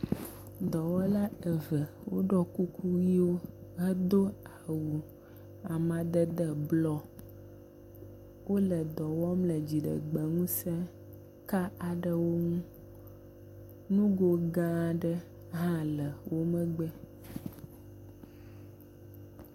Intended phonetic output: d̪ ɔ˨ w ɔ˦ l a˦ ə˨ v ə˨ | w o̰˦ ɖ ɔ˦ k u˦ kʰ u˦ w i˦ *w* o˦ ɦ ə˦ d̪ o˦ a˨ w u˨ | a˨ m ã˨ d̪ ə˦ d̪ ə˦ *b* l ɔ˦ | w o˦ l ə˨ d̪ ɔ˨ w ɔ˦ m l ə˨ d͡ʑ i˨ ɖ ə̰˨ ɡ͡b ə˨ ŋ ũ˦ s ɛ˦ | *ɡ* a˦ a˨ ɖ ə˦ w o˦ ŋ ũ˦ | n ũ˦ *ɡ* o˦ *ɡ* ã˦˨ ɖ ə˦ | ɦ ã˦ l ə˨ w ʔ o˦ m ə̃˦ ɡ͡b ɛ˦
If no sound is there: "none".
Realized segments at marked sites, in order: w, b, k, ɡ, ɡ

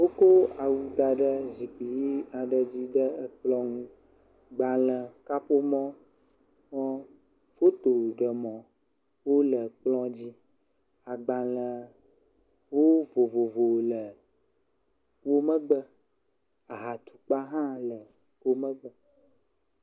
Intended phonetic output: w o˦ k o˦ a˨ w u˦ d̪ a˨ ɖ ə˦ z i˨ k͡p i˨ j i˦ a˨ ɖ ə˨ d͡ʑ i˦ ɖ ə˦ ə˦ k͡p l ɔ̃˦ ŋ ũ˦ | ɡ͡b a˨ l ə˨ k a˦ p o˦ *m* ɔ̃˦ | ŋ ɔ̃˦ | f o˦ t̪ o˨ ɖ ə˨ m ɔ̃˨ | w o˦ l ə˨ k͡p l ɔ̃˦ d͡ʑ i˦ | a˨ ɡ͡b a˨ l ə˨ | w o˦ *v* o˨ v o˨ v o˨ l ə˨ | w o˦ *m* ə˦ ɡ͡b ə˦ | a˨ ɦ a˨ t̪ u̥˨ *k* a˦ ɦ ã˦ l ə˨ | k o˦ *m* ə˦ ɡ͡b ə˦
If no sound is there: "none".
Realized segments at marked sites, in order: m, v, m, k͡p, m

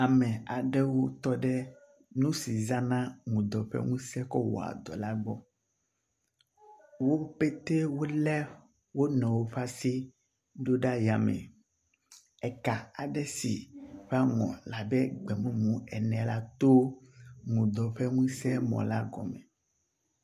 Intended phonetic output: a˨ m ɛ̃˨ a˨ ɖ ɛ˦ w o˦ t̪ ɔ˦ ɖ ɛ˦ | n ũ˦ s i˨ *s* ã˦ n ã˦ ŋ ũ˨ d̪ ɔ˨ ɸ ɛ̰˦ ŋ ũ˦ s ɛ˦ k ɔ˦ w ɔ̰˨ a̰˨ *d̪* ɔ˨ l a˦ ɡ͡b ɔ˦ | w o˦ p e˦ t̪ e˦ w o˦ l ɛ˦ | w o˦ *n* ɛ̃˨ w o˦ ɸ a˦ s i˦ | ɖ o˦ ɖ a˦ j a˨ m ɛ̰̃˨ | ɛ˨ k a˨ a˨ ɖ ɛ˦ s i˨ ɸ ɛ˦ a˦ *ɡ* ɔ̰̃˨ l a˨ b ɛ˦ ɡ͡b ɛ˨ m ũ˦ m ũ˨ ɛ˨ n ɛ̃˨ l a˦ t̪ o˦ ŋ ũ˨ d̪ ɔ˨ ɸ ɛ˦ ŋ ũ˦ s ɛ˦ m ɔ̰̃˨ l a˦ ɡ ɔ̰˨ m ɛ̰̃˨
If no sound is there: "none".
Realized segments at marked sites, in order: z, d̪, n, ŋ

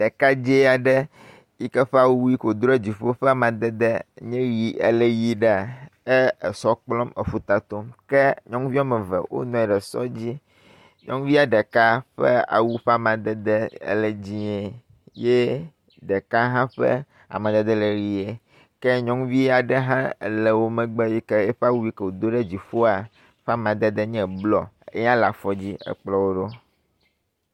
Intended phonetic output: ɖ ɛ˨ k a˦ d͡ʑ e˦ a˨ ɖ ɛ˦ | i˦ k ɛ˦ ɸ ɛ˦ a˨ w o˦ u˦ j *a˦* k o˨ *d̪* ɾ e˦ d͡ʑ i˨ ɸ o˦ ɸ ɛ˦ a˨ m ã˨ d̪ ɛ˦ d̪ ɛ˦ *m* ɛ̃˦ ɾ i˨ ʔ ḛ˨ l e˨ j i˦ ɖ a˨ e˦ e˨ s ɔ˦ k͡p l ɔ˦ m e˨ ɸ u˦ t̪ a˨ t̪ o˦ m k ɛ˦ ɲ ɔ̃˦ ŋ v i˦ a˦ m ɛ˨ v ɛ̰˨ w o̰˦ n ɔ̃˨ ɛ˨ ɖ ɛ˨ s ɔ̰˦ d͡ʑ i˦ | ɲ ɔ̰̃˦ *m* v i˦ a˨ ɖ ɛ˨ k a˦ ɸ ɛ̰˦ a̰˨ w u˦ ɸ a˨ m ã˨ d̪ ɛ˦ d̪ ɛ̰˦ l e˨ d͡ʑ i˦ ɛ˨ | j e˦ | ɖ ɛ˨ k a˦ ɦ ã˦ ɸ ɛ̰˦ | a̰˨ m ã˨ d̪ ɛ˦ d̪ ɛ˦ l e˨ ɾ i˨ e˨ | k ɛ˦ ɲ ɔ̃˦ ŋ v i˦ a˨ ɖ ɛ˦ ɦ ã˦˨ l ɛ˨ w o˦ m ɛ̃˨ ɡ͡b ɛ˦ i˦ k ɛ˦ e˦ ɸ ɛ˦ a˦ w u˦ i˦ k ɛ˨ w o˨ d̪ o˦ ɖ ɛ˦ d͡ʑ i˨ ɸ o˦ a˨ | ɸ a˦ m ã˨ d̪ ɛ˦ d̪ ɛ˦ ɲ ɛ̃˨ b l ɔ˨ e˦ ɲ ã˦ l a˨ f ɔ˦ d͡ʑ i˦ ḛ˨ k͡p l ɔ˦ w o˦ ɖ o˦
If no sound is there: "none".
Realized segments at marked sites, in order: i˦, d̪, ɲ, ŋ

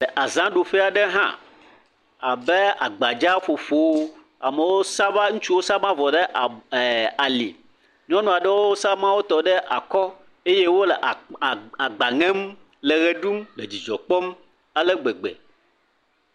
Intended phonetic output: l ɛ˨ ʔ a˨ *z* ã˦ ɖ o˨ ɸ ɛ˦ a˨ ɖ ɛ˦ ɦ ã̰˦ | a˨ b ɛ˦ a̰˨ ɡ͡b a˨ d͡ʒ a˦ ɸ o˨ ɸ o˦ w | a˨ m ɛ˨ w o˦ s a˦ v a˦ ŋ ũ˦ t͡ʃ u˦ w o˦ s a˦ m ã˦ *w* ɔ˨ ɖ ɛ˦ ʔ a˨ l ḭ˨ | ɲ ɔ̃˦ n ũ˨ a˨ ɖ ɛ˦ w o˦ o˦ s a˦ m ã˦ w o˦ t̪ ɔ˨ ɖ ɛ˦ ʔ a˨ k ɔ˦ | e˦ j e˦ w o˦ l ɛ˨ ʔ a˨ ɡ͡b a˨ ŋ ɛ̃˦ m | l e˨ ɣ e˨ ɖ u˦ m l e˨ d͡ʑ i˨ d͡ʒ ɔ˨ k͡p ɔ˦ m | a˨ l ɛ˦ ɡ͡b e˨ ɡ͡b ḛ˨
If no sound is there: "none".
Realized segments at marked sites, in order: z, v

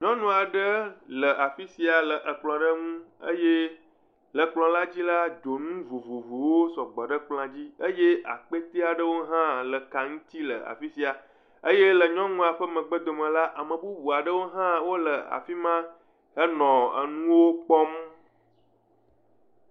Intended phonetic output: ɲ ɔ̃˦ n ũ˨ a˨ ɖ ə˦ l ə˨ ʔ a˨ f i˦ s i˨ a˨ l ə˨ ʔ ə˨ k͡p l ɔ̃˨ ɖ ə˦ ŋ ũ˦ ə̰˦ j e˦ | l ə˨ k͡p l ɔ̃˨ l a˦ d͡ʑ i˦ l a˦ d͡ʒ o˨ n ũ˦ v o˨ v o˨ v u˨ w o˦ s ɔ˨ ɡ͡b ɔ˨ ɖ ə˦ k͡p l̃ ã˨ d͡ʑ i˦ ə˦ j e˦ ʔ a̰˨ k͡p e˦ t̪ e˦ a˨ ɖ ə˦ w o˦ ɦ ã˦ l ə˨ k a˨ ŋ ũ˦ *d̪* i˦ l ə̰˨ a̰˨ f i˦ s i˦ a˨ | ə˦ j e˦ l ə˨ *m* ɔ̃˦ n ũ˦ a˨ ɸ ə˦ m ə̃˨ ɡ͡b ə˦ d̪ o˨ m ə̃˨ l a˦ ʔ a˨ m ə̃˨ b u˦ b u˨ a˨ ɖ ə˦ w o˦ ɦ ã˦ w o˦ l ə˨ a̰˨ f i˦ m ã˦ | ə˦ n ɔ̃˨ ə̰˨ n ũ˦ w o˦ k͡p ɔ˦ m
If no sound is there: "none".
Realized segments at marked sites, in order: t̪, ɲ

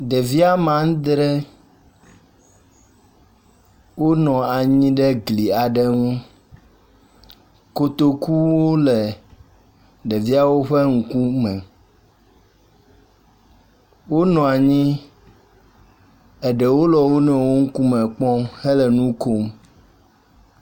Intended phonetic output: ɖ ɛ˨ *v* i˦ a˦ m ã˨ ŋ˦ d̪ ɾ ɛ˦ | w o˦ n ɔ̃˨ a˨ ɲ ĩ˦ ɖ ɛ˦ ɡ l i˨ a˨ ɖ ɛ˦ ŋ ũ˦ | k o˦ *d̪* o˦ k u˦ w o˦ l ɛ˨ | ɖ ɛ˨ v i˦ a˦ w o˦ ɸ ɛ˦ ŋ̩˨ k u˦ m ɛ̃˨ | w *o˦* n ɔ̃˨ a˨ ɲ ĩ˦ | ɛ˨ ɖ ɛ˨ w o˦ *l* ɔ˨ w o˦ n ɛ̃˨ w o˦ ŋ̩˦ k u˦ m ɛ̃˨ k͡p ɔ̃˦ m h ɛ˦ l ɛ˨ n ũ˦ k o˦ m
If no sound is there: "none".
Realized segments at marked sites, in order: v, t̪, o˦, l

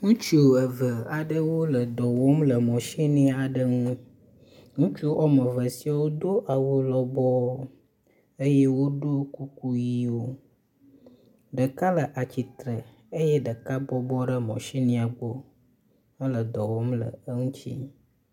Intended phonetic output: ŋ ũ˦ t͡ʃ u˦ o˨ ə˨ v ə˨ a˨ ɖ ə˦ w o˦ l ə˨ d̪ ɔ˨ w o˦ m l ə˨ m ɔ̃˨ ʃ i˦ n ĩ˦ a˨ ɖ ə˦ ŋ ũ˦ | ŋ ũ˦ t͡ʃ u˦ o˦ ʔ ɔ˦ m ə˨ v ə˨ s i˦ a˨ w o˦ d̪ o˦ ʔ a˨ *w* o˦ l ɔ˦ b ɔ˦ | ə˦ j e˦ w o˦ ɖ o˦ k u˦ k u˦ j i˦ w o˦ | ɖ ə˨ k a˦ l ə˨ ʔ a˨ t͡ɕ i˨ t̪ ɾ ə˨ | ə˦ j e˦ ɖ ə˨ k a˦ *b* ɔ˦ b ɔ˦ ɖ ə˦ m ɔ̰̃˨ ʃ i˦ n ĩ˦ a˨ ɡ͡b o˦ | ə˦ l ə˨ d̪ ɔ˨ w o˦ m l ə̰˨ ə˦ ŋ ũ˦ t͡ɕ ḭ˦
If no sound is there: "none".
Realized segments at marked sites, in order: w, b

